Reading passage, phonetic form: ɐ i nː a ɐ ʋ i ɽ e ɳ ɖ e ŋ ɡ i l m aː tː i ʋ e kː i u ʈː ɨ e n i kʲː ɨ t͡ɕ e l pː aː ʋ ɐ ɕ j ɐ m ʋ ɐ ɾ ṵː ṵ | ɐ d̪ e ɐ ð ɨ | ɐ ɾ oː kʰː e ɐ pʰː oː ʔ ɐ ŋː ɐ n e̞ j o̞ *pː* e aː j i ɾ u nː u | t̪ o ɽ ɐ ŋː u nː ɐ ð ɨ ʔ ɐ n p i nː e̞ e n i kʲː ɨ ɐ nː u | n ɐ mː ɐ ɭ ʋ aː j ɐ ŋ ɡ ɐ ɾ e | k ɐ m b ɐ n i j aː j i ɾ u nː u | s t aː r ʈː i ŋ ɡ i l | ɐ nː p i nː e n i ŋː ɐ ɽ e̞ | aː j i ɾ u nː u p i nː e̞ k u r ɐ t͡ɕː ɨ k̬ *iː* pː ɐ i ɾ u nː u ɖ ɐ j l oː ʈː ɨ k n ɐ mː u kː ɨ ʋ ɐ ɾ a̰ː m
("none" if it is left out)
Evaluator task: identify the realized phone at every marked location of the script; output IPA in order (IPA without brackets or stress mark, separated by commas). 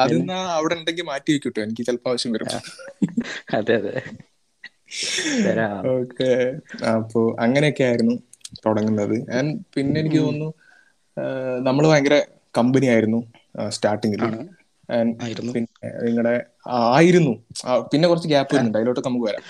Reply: kː, aː